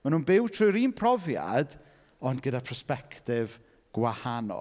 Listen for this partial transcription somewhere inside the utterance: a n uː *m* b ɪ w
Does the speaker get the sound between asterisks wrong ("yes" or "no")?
yes